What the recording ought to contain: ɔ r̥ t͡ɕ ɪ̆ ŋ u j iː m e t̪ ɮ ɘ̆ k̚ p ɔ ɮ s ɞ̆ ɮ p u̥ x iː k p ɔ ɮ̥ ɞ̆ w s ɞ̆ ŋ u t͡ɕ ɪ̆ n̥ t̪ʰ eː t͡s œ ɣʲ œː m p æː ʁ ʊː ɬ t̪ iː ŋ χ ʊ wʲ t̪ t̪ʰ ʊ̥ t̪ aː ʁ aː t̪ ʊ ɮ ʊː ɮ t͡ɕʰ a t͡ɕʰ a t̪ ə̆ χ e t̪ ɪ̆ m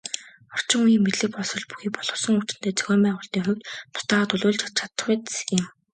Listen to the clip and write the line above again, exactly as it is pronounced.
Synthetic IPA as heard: ɔ r̥ t͡ɕ ɪ̆ ŋ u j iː m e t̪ ɮ ɘ̆ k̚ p ɔ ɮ s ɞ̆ ɮ p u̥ x iː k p ɔ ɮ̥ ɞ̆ w s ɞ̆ ŋ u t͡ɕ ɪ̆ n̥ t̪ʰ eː t͡s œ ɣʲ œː m p æː ʁ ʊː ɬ t̪ iː ŋ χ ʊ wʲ t̪ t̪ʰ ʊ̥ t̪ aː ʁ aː t̪ ʊ ɮ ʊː ɮ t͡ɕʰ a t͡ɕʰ a t̪ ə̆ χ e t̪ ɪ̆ m